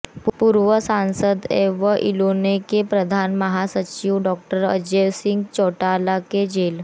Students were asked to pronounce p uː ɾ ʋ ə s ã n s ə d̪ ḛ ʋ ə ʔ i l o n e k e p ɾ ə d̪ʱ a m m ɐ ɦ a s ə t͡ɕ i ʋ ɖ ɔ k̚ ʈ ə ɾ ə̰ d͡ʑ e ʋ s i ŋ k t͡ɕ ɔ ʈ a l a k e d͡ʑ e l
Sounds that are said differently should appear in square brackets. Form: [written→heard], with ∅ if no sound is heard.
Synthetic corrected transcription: p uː ɾ ʋ ə s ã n s ə d̪ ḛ ʋ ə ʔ i l o n e k e p ɾ ə d̪ʱ a [m→n] m [ɐ→ə] ɦ a s ə t͡ɕ i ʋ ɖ ɔ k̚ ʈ ə ɾ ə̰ d͡ʑ e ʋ s i ŋ [k→ɡ] t͡ɕ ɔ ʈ a l a k e d͡ʑ e l